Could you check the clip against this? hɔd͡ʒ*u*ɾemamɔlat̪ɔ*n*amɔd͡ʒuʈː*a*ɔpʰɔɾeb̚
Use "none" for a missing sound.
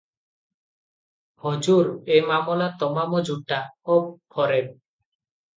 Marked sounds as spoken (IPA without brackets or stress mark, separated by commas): u, m, a